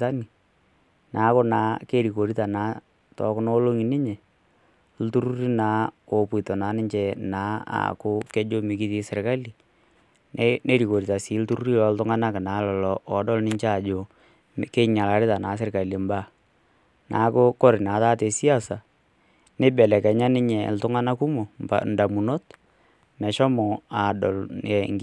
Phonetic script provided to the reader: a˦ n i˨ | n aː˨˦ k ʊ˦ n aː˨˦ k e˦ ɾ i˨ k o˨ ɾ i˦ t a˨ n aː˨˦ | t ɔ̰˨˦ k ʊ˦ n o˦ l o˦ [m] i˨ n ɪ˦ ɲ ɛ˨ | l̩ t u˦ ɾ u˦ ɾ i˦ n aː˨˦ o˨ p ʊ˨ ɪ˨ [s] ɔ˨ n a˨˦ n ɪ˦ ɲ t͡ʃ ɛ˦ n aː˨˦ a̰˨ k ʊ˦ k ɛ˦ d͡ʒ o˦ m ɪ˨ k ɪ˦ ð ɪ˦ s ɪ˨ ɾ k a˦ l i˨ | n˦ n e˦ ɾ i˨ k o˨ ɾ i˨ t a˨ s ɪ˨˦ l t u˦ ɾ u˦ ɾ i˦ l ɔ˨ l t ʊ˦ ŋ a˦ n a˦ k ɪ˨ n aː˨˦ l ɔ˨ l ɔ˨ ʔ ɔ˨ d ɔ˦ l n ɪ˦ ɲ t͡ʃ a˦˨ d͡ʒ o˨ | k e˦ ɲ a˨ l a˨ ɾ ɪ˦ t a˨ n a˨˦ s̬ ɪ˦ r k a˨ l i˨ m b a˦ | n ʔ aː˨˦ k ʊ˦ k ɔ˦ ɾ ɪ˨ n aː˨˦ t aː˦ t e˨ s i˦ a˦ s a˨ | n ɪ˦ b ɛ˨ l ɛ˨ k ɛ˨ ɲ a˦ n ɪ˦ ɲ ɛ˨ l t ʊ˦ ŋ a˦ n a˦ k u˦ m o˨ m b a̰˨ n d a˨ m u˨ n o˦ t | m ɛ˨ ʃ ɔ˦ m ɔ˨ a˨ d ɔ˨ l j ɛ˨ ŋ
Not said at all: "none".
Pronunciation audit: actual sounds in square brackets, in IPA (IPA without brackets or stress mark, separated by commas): ŋ, t